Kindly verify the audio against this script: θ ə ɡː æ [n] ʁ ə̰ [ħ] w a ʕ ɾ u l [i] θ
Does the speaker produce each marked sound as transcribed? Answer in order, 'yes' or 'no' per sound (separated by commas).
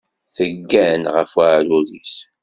yes, no, yes